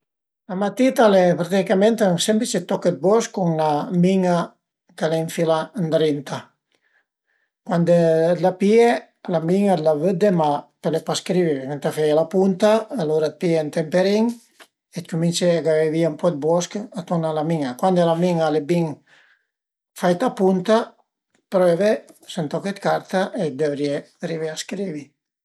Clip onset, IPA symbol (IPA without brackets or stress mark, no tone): l